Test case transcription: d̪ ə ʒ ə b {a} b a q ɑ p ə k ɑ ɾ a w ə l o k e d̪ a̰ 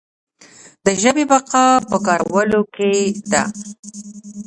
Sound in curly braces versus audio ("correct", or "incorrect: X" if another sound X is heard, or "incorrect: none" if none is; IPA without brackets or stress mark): incorrect: e